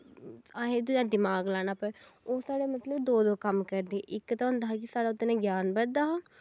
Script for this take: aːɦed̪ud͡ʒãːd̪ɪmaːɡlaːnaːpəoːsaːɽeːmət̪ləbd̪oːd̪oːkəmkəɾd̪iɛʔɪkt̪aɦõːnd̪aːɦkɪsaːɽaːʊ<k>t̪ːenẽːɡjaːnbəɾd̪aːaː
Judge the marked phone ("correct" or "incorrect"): incorrect